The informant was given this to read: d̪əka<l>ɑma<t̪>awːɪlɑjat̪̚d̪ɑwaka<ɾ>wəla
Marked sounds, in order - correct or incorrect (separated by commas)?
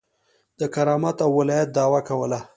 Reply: incorrect, correct, incorrect